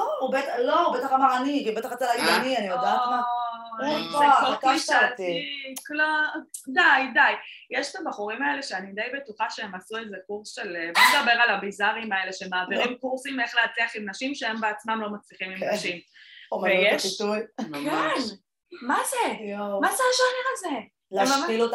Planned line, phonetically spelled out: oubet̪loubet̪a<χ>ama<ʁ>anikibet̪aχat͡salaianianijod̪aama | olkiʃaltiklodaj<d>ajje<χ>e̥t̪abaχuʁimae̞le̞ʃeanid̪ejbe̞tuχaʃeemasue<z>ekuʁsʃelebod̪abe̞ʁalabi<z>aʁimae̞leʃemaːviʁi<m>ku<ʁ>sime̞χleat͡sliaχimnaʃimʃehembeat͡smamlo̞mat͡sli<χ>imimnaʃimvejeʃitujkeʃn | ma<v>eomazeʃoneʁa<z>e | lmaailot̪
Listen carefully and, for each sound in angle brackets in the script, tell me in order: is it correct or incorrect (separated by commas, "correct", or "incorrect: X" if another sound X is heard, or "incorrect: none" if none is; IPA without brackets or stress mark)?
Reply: correct, correct, correct, incorrect: ʃ, correct, correct, correct, correct, correct, incorrect: z, correct